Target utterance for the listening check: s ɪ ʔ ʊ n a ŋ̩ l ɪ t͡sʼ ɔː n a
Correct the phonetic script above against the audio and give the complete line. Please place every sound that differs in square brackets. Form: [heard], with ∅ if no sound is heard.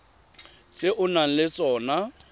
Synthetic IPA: s ɪ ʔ ʊ n a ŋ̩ l ɪ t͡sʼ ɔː n a